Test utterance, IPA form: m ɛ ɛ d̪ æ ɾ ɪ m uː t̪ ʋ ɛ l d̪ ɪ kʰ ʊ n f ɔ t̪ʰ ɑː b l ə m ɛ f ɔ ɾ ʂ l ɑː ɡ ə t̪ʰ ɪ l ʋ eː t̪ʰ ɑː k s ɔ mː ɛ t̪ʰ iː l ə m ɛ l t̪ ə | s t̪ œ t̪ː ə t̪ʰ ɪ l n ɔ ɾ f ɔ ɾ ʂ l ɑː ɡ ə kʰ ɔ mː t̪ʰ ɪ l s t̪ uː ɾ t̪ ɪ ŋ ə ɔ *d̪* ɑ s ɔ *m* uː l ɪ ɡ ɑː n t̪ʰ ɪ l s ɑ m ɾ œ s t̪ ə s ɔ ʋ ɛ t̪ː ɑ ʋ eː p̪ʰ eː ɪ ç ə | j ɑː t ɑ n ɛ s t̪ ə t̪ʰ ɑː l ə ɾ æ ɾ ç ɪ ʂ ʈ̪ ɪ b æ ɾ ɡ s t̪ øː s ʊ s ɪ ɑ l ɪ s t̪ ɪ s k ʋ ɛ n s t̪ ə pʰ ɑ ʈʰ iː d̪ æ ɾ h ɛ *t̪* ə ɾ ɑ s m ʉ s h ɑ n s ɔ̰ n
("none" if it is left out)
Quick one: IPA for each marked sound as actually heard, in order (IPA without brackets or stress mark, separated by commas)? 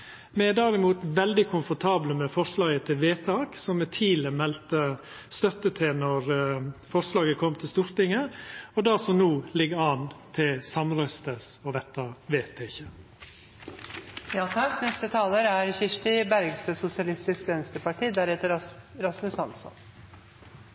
d̪, n, t̪